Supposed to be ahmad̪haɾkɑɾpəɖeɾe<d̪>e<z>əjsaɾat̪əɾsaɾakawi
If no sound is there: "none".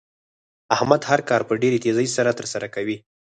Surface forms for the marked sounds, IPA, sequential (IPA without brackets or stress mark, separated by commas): t̪, z